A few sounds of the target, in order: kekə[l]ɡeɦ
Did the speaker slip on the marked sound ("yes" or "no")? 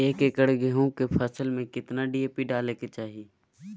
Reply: yes